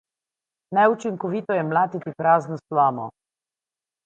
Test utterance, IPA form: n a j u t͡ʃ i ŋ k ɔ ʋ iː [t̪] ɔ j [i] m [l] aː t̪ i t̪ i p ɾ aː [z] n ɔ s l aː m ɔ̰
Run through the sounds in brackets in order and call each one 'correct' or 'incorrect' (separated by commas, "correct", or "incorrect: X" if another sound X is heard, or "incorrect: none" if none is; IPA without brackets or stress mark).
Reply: correct, incorrect: ɛ, correct, correct